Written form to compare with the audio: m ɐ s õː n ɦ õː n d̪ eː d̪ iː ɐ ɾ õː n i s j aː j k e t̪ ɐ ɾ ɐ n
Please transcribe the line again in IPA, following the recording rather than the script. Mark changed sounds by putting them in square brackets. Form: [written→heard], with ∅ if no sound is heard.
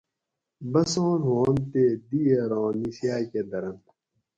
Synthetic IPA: [m→b] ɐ s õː n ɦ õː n [d̪→t̪] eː d̪ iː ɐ ɾ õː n i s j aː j k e [t̪→d̪] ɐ ɾ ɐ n